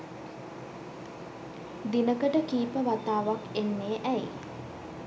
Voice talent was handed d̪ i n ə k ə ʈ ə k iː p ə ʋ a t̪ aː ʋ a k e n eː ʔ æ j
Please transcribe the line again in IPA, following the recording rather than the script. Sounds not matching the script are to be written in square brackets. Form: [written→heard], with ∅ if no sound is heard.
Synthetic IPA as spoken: d̪ i n ə k ə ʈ ə k iː p ə ʋ a t̪ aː ʋ a k e [n→nː] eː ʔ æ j

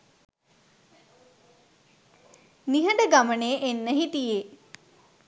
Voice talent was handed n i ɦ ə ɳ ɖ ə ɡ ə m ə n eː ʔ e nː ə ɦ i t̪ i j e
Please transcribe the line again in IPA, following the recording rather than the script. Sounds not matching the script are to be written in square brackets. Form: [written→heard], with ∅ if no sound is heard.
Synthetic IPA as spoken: n i ɦ ə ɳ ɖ ə ɡ [ə→a] m ə n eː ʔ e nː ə ɦ i t̪ i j e

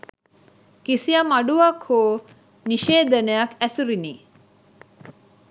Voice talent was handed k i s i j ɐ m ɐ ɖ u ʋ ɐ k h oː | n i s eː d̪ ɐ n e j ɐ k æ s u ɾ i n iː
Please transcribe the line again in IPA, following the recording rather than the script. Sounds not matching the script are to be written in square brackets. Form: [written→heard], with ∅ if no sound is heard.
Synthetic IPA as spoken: k i s i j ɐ m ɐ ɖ u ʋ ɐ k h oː | n i [s→ʃ] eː d̪ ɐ n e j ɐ k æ s u ɾ i n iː

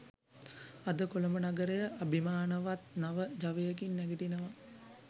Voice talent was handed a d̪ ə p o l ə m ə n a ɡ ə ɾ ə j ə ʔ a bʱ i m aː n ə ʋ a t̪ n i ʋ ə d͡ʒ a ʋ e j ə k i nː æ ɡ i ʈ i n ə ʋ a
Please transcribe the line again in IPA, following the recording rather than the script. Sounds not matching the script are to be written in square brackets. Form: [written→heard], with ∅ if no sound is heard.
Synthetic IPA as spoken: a d̪ ə [p→k] o l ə m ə n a ɡ ə ɾ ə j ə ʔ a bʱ i m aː n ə ʋ a t̪ n [i→a] ʋ ə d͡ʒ a ʋ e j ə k i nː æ ɡ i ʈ i n ə ʋ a

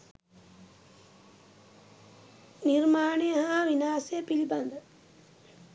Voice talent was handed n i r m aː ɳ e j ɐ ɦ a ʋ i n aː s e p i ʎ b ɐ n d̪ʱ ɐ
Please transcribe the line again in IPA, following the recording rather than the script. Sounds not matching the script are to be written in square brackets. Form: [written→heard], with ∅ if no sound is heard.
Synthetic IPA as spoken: n i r m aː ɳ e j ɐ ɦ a ʋ i n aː s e p i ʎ b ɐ n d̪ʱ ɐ

